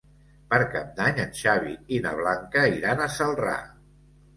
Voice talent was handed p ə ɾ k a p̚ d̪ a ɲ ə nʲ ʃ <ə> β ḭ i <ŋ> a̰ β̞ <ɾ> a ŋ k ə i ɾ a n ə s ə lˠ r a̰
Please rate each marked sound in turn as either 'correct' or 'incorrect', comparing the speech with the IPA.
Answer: incorrect, incorrect, incorrect

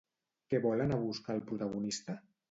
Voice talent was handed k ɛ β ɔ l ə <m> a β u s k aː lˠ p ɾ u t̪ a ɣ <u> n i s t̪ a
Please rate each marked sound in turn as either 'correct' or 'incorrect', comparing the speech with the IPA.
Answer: incorrect, correct

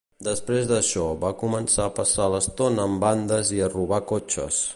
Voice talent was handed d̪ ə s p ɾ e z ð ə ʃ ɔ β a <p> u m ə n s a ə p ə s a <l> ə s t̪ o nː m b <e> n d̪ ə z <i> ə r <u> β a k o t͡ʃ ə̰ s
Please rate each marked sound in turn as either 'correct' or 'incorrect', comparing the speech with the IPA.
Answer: incorrect, correct, incorrect, correct, correct

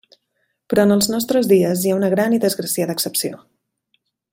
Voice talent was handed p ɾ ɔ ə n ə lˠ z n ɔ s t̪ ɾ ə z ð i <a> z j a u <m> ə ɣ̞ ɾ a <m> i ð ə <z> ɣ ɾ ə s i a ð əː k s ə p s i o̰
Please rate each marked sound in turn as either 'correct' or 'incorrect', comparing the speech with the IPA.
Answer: incorrect, incorrect, incorrect, correct

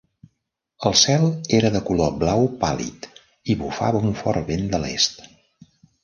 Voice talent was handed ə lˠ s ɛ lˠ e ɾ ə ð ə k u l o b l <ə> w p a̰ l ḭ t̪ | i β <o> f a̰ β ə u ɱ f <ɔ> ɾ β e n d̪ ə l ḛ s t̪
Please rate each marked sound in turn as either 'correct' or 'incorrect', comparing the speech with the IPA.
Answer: incorrect, incorrect, correct

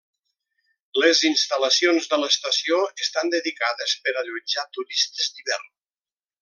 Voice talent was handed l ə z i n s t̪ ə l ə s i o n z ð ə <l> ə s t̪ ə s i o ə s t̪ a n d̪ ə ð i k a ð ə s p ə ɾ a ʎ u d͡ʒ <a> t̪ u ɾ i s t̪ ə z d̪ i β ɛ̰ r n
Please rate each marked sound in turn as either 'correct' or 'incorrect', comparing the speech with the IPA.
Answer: correct, correct

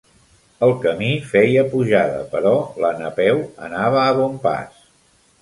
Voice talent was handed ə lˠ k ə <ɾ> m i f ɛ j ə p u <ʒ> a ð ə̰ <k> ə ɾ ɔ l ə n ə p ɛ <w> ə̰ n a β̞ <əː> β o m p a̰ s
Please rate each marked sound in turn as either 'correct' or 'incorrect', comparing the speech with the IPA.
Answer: incorrect, correct, incorrect, correct, correct

